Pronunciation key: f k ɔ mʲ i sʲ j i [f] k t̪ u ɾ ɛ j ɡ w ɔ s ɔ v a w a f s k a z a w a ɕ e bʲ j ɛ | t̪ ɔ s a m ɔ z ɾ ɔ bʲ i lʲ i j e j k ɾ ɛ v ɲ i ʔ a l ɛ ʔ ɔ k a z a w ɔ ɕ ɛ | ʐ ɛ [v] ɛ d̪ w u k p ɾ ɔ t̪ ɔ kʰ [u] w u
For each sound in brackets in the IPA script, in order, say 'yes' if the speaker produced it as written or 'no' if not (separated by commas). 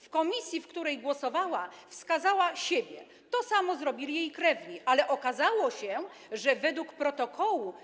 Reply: yes, yes, no